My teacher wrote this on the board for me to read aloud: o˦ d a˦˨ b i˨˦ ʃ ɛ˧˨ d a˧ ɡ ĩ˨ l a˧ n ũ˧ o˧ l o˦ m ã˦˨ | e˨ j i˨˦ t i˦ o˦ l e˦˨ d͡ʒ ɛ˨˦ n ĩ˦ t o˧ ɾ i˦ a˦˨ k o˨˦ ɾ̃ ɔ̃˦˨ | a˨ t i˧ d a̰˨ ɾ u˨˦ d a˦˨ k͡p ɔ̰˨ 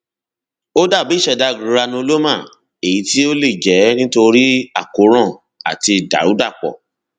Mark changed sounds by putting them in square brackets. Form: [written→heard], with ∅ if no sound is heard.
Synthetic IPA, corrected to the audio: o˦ d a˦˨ b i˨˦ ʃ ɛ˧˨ d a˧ ɡ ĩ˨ [l→ɾ] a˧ n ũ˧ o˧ l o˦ m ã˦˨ | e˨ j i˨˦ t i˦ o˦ l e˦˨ d͡ʒ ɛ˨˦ n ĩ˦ t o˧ ɾ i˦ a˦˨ k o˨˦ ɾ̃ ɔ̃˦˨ | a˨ t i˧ d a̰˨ ɾ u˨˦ d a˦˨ k͡p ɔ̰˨